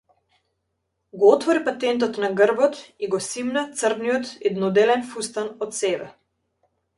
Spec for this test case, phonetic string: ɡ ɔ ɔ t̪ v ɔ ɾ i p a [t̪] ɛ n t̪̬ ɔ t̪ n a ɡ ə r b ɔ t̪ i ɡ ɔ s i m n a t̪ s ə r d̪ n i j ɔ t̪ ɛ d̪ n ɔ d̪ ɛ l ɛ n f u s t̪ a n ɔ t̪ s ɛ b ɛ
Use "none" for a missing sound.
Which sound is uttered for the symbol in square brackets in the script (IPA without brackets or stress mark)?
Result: t̪